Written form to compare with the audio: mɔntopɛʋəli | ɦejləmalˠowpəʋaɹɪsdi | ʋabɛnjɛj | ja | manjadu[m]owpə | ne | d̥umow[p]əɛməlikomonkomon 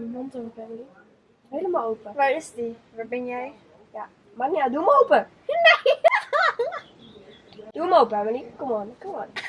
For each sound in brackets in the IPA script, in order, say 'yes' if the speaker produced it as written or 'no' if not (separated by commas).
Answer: yes, yes